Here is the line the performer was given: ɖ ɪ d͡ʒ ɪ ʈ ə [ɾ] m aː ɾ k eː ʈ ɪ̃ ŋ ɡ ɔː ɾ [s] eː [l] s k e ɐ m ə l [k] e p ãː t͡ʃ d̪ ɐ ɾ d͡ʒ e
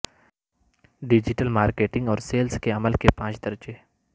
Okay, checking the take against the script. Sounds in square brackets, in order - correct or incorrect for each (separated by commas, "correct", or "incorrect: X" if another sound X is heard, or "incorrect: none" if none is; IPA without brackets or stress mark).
incorrect: l, correct, correct, correct